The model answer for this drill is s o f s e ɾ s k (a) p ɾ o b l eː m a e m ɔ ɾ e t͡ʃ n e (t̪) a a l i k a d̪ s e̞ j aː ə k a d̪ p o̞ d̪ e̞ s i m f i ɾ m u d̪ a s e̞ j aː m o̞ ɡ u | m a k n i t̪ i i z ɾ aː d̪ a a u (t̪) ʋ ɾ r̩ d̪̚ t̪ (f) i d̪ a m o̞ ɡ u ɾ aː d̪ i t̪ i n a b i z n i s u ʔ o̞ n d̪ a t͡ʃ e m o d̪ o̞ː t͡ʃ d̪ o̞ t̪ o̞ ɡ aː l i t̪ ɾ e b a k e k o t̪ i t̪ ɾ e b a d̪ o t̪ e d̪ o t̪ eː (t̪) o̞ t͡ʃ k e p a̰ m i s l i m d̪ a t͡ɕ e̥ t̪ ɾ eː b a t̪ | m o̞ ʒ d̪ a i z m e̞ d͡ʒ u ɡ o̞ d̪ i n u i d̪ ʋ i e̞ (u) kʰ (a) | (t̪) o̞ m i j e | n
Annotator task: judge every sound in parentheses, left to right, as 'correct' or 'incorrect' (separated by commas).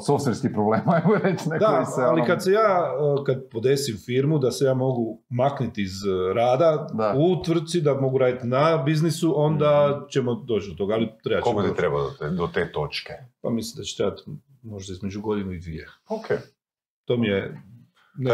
incorrect, incorrect, correct, incorrect, correct, incorrect, incorrect, correct